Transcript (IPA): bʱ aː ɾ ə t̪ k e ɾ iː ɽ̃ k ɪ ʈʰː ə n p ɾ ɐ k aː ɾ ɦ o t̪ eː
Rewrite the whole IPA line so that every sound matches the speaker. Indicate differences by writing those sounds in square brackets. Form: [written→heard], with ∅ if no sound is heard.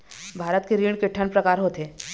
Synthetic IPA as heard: bʱ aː ɾ ə t̪ k e ɾ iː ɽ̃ k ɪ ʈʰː ə n p ɾ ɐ k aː ɾ ɦ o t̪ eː

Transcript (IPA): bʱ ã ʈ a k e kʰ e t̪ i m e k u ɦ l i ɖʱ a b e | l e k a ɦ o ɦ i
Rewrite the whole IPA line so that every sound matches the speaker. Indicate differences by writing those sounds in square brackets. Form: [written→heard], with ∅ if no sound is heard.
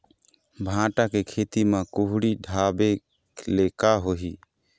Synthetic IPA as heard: bʱ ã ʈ a k e kʰ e t̪ i m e k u ɦ [l→ɽ] i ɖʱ a b e | l e k a ɦ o ɦ i

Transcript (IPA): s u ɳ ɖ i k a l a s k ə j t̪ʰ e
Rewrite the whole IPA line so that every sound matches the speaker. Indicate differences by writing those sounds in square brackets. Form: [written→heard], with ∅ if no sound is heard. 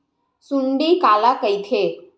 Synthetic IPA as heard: s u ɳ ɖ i k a l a [s→∅] k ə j t̪ʰ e

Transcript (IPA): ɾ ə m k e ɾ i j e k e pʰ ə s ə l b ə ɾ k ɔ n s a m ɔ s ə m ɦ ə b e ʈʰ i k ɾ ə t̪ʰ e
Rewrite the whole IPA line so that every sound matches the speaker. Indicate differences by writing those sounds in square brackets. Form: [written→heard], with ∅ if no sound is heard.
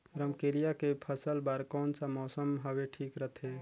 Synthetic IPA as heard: ɾ ə m k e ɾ i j [e→a] k e pʰ ə s ə l b [ə→a] ɾ k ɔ n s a m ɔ s ə m ɦ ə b e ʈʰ i k ɾ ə t̪ʰ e

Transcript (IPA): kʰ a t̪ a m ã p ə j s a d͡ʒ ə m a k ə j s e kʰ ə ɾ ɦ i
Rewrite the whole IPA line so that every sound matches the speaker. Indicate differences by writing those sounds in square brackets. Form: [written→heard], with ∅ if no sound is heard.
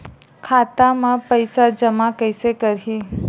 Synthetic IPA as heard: kʰ a t̪ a m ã p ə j s a d͡ʒ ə m a k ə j s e [kʰ→k] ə ɾ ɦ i

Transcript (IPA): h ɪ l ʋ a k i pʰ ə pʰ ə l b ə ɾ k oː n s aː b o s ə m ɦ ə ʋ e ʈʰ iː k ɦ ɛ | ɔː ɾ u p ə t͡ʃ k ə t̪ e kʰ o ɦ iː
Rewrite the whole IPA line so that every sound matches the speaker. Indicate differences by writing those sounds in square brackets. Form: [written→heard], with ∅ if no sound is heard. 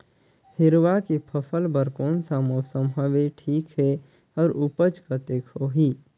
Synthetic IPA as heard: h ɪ [l→ɾ] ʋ a k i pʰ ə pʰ ə l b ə ɾ k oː n s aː [b→m] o s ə m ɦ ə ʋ e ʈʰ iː k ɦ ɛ | ɔː ɾ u p ə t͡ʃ k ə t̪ e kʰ o ɦ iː

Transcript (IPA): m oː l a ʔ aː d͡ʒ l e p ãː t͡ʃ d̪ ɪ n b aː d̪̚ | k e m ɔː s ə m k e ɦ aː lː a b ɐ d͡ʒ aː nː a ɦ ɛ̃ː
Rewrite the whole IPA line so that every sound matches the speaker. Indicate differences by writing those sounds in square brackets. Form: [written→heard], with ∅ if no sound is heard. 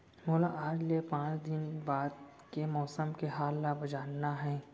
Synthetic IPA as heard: m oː l a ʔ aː d͡ʒ l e p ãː t͡ʃ d̪ ɪ n b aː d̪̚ | k e m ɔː s ə m k e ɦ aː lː a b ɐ d͡ʒ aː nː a ɦ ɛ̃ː

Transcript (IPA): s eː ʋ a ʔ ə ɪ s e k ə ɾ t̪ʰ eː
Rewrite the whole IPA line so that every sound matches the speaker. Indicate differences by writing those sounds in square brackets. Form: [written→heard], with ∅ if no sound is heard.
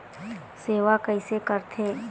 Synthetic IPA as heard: s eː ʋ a [ʔ→k] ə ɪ s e k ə ɾ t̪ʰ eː

